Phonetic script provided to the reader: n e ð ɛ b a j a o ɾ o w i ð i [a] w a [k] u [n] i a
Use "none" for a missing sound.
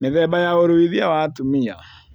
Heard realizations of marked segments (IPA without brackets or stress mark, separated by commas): a, t, m